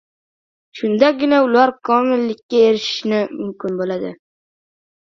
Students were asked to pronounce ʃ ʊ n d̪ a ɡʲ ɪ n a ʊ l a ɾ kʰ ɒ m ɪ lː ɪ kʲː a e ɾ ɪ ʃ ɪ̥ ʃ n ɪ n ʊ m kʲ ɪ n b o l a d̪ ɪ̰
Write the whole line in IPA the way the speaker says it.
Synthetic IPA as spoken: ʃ ʊ n d̪ a ɡʲ ɪ n a ʊ l a ɾ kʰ ɒ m ɪ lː ɪ kʲː a e ɾ ɪ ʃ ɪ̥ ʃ n ɪ m ʊ m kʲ ɪ n b o l a d̪ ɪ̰